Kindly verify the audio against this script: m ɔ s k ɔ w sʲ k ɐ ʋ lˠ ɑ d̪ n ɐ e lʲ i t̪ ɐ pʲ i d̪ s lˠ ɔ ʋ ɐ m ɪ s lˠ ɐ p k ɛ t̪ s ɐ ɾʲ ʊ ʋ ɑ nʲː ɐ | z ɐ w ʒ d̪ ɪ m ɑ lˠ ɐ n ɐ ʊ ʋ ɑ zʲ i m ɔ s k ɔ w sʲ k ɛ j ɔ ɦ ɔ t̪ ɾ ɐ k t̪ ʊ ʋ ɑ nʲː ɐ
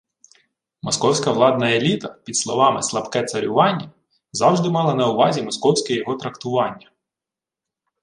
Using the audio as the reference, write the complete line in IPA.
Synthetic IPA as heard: m ɔ s k ɔ w sʲ k ɐ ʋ lˠ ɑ d̪ n ɐ e lʲ i t̪ ɐ pʲ i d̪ s lˠ ɔ ʋ ɑ m ɪ s lˠ ɐ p k ɛ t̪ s ɐ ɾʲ ʊ ʋ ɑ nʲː ɐ | z ɑ w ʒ d̪ ɪ m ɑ lˠ ɐ n ɐ ʊ ʋ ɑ zʲ i m ɔ s k ɔ w sʲ k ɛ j ɔ ɦ ɔ t̪ ɾ ɐ k t̪ ʊ ʋ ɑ nʲː ɐ